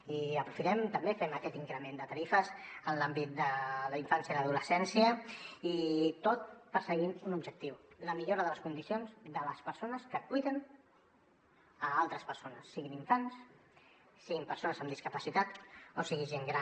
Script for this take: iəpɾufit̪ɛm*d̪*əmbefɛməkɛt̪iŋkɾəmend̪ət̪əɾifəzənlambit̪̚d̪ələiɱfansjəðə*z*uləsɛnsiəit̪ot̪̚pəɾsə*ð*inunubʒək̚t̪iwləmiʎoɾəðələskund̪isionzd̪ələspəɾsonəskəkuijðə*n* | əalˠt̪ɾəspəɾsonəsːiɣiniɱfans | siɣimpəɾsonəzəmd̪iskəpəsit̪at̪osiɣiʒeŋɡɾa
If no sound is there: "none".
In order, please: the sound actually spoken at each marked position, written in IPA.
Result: t̪, ð, ɣ, n

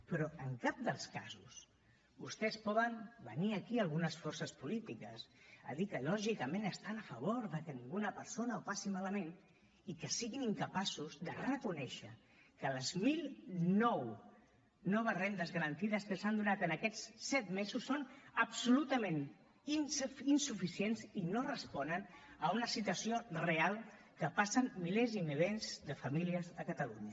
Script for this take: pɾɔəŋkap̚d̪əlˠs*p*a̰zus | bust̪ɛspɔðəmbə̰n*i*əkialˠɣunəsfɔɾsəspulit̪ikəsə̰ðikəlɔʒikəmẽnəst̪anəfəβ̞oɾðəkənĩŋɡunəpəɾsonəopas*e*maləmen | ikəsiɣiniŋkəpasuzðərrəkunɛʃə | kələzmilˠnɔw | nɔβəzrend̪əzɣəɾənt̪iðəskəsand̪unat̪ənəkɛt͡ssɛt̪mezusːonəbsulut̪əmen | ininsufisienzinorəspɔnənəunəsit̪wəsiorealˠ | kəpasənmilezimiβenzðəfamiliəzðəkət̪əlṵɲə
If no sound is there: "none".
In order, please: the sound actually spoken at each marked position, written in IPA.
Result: k, i, i

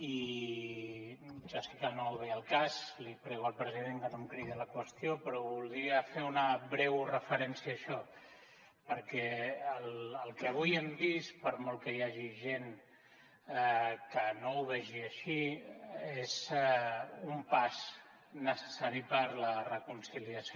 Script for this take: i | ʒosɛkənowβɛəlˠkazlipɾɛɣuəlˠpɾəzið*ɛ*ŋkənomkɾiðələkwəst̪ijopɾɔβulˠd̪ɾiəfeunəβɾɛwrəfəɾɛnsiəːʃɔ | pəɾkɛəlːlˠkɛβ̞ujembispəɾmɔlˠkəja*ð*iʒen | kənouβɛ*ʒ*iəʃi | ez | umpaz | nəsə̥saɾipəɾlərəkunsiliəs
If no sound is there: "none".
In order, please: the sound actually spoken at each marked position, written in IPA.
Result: e, ʒ, ʒ

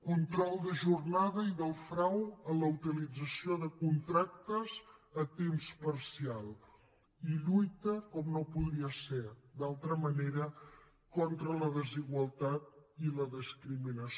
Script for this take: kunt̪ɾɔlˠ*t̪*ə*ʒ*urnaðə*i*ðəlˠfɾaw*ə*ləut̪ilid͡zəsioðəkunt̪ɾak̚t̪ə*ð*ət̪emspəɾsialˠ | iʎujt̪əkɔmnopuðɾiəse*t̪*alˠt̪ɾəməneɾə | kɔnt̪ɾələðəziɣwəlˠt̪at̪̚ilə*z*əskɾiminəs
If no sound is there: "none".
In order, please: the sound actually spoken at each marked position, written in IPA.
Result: d̪, ʒ, i, ə, z, d̪, ð

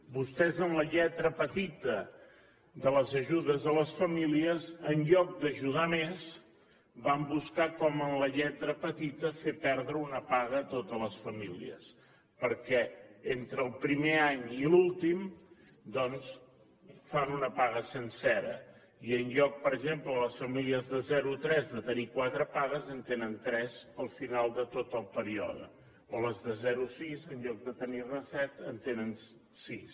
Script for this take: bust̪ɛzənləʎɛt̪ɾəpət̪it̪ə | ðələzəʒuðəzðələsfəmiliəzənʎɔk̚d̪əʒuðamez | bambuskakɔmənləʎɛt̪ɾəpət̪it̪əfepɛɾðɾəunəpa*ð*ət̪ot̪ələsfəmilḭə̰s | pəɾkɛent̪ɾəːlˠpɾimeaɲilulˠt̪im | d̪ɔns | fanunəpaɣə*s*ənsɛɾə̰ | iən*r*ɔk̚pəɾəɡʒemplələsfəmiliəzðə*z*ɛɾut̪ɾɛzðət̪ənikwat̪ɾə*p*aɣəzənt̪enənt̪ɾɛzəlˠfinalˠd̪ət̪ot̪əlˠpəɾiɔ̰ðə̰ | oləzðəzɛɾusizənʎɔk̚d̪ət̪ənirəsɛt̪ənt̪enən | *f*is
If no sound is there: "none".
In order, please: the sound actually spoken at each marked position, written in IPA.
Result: ɣ, s, ʎ, z, p, s

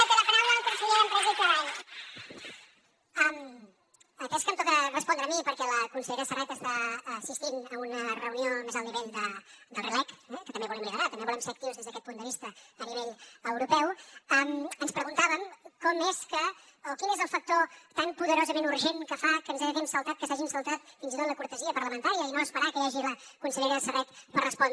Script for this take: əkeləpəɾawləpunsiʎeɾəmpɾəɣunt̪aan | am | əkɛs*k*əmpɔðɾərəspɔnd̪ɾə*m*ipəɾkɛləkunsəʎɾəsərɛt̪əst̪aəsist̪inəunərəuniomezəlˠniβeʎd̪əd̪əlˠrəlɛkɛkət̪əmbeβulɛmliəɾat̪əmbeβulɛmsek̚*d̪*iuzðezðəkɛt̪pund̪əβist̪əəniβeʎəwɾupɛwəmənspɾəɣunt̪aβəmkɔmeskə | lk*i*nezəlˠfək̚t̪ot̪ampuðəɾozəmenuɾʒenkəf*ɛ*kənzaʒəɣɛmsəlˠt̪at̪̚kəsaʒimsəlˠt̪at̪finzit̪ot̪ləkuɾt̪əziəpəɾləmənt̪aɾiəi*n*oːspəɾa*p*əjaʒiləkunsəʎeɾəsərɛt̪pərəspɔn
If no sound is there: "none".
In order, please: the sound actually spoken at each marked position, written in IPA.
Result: k, m, t̪, i, a, n, k

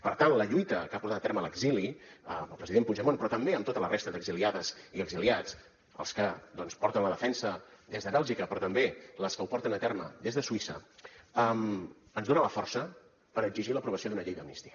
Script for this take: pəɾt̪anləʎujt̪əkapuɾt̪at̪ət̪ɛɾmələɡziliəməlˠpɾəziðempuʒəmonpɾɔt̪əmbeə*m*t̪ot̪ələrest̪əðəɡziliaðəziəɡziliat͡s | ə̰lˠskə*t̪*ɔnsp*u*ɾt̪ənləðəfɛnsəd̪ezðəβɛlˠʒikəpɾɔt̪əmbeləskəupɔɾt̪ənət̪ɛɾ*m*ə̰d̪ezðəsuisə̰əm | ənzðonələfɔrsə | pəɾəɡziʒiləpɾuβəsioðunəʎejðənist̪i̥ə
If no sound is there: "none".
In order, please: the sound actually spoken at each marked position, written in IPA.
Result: m, d̪, ɔ, m

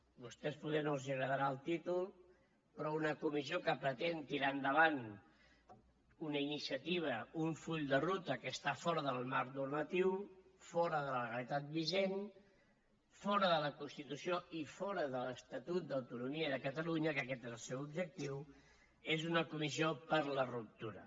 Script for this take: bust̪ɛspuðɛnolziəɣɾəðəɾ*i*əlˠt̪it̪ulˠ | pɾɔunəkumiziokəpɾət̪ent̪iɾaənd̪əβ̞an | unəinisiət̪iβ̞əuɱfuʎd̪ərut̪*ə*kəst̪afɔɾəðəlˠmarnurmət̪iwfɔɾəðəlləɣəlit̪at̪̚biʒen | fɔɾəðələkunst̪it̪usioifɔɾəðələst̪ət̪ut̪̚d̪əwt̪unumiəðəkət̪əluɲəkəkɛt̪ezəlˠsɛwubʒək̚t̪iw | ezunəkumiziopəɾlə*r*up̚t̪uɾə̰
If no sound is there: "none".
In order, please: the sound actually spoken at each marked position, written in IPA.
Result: a, ə, r

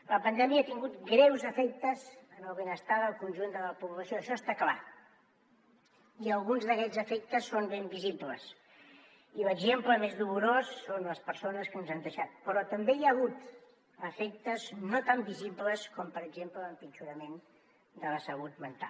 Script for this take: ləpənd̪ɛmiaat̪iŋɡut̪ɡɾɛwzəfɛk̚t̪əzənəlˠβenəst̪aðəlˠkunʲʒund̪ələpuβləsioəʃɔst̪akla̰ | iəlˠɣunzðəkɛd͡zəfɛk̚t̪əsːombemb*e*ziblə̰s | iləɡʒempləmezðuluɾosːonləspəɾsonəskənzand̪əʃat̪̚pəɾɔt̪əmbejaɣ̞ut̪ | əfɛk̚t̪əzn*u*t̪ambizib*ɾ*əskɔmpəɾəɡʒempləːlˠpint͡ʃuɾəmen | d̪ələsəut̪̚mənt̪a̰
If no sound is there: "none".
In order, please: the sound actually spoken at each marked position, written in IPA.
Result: i, o, l

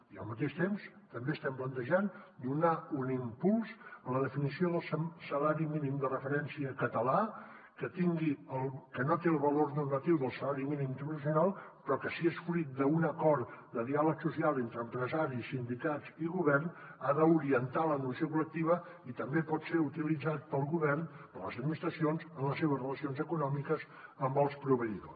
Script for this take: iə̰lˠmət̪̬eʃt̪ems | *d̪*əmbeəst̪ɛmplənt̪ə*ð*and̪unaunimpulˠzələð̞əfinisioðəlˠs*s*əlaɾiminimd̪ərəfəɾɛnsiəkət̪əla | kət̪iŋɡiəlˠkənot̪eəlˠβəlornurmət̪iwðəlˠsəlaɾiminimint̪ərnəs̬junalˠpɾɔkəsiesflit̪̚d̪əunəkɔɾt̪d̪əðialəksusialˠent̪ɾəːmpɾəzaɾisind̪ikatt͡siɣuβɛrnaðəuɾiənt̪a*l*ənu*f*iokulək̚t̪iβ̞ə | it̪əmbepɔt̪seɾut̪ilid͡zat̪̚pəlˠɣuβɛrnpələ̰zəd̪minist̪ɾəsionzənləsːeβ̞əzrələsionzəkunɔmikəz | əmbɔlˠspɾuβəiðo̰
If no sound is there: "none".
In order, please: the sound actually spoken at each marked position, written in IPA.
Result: t̪, ʒ, s, l, s

